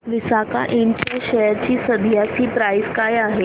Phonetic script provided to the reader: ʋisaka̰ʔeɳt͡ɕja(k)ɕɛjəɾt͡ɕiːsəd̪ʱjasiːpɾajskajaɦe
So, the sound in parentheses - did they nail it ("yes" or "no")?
no